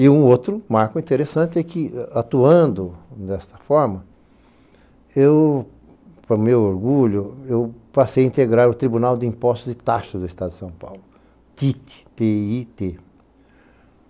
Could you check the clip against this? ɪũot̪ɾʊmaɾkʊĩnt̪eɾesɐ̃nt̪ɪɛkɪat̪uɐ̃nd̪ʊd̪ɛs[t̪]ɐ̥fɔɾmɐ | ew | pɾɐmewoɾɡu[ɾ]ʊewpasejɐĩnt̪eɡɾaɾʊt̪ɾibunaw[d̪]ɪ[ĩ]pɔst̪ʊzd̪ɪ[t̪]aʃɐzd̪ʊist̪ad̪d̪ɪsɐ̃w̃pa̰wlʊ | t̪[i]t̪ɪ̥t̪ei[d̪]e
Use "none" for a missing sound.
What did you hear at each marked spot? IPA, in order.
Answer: t̪, ʎ, d̪, ĩ, t̪, i, t̪

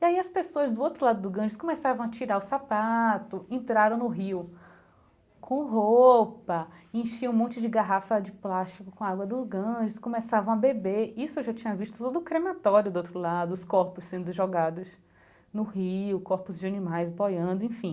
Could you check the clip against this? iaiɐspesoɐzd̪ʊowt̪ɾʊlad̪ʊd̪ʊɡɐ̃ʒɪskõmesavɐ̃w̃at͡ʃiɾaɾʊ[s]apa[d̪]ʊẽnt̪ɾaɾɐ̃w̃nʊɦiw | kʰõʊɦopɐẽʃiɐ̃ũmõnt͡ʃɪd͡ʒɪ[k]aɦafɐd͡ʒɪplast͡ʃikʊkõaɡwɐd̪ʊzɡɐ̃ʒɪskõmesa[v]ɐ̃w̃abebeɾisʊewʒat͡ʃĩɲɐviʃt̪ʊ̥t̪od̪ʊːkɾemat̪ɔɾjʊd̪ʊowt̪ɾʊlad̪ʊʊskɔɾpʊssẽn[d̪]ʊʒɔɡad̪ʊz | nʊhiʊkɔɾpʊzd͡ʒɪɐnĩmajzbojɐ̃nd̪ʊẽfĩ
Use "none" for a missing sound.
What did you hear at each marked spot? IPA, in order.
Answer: s, t̪, ɡ, v, d̪

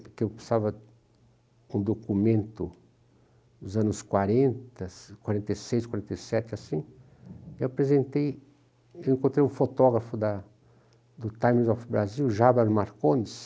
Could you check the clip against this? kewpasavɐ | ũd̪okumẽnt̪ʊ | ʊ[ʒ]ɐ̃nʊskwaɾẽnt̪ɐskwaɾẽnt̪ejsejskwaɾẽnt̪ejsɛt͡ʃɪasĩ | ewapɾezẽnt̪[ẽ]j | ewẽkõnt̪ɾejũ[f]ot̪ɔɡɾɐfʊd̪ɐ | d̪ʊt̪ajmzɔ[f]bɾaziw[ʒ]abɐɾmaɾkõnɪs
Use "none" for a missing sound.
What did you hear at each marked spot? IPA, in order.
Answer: z, e, f, f, ʒ

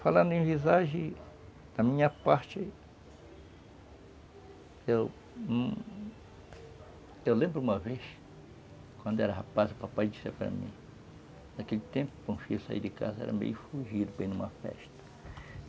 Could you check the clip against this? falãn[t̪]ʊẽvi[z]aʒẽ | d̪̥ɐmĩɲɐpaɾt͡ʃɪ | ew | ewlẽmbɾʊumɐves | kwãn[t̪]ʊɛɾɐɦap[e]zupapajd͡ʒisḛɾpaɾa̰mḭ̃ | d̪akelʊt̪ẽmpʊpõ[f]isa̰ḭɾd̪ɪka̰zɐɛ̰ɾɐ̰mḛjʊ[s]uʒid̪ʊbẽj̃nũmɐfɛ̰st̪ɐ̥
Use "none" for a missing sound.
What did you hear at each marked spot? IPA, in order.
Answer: d̪, z, d̪, a, f, f

